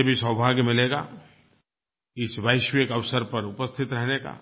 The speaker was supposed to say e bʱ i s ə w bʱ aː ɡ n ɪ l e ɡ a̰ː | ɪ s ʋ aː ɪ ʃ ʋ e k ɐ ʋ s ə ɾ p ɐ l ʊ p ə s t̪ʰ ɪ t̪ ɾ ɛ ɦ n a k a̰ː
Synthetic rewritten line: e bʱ i s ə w bʱ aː ɡ m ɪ l e ɡ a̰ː | ɪ s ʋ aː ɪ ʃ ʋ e k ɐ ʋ s ə ɾ p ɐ ɾ ʊ p ə s t̪ʰ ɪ t̪ ɾ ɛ ɦ n e k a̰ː